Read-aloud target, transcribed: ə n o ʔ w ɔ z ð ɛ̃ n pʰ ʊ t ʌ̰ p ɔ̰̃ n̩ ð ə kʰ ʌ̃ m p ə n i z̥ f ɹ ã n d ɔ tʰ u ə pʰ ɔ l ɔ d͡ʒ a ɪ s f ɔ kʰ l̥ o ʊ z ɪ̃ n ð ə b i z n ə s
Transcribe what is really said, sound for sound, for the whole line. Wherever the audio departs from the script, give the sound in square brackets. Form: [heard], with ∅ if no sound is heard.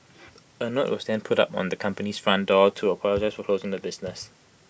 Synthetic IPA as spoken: ə n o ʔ w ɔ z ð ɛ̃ n pʰ ʊ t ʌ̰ p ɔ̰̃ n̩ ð ə kʰ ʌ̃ m p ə n i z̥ f ɹ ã n d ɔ tʰ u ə pʰ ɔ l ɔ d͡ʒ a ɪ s f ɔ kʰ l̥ o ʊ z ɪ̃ [ŋ] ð ə b [ɪ] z n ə s